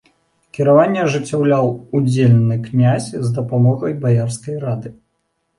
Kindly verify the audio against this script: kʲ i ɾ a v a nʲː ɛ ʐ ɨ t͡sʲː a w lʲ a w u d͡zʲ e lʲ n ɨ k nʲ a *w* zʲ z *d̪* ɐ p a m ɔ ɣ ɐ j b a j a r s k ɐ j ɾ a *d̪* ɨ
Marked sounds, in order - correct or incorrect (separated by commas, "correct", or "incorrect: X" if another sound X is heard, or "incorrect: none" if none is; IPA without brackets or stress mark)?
incorrect: none, correct, correct